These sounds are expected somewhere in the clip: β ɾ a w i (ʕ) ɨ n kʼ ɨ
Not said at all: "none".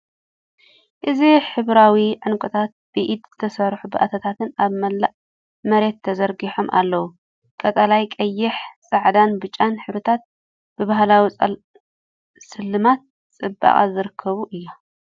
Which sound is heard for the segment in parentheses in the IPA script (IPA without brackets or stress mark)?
ʕ